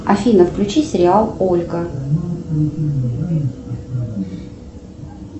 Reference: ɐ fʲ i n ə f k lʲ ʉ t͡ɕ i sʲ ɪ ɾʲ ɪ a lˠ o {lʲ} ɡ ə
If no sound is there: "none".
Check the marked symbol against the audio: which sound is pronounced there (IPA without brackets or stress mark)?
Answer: lʲ